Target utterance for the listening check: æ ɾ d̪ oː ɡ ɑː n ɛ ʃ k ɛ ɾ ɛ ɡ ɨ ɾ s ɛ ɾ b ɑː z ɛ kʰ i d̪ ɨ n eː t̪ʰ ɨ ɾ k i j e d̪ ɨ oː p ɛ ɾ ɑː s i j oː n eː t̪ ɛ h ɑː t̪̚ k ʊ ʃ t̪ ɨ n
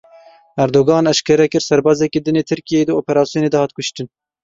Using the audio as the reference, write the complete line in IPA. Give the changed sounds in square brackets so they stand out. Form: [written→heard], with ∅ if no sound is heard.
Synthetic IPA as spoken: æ ɾ d̪ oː ɡ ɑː n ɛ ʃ k ɛ ɾ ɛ [ɡ→k] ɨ ɾ s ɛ ɾ b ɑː z ɛ [kʰ→k] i d̪ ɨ n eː t̪ʰ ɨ ɾ k i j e d̪ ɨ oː p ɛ ɾ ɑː s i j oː n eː [t̪→d̪] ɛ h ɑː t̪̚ k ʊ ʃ t̪ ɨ n